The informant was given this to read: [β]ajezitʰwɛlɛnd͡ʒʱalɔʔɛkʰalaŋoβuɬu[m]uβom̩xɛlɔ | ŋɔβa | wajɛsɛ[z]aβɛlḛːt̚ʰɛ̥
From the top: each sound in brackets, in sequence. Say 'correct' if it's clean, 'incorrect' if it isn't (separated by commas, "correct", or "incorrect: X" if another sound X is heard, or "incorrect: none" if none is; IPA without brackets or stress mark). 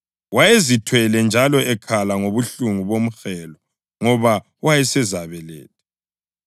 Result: incorrect: w, incorrect: ŋ, correct